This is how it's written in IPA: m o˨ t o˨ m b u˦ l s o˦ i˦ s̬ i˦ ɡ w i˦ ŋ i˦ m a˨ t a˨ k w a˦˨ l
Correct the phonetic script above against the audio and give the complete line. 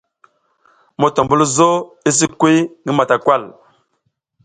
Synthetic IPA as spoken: m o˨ t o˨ m b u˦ l z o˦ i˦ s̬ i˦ k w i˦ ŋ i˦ m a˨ t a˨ k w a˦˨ l